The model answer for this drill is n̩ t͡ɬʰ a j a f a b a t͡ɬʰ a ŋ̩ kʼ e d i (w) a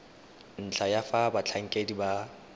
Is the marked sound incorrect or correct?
incorrect